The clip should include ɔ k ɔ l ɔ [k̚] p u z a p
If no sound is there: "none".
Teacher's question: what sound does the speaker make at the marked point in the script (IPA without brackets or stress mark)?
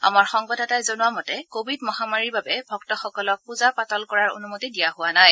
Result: k̚